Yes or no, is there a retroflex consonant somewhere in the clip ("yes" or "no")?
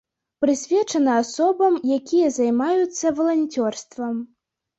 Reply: yes